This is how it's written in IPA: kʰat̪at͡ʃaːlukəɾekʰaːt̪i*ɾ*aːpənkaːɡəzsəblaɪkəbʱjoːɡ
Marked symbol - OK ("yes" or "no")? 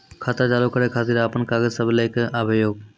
yes